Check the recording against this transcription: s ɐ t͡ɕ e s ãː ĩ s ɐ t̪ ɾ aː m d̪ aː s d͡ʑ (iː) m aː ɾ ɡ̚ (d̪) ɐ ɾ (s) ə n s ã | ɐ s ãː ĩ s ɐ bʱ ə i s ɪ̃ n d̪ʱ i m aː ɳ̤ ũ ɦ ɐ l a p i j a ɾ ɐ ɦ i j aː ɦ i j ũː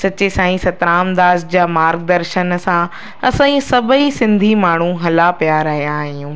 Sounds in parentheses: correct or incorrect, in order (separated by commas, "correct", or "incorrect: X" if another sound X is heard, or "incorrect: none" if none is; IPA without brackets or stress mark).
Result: incorrect: aː, correct, incorrect: ʃ